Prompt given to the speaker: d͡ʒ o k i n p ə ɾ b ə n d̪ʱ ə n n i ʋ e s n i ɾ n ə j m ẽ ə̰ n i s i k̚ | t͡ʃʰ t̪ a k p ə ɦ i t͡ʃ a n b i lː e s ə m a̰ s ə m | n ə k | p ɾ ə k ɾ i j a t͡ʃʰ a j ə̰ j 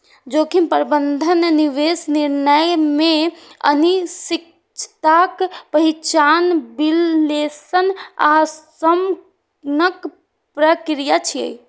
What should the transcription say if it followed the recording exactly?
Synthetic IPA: d͡ʒ o k i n p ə ɾ b ə n d̪ʱ ə n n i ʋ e s n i ɾ n ə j m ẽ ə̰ n i s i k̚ | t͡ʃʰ t̪ a k p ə ɦ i t͡ʃ a n b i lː e s ə n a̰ s ə m | n ə k | p ɾ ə k ɾ i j a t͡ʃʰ i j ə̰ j

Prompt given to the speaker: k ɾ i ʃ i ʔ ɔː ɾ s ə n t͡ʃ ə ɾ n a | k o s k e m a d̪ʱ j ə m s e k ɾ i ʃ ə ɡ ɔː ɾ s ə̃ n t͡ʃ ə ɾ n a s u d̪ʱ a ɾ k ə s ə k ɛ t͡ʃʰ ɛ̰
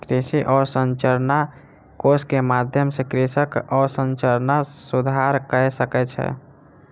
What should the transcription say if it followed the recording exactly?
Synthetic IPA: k ɾ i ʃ i ʔ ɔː ɾ s ə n t͡ʃ ə ɾ n a | k o s k e m a d̪ʱ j ə m s e k ɾ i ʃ ə k ɔː ɾ s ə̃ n t͡ʃ ə ɾ n a s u d̪ʱ a ɾ k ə s ə k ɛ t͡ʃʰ ɛ̰

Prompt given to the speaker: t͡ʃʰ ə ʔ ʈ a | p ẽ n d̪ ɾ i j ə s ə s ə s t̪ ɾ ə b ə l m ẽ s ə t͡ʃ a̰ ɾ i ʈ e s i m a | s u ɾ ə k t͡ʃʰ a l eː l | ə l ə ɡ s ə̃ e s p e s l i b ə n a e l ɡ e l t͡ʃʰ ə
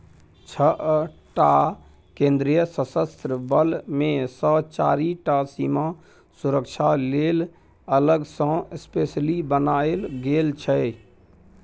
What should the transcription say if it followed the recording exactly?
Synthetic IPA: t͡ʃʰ ə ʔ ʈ a | k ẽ n d̪ ɾ i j ə s ə s ə s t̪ ɾ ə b ə l m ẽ s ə t͡ʃ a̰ ɾ i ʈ a s i m a | s u ɾ ə k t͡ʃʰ a l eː l | ə l ə ɡ s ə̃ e s p e s l i b ə n a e l ɡ e l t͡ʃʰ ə

